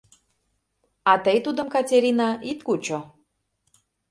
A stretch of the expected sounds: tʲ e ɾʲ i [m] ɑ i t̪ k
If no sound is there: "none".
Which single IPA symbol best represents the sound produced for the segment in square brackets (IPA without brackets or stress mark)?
n